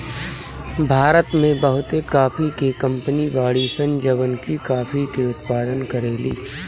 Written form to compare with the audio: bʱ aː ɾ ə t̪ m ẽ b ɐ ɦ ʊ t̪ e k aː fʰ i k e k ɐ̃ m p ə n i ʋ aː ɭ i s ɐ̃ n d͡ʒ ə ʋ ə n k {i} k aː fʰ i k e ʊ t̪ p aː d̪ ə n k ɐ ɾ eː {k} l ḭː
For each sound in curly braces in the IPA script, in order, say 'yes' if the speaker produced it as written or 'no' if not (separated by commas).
yes, no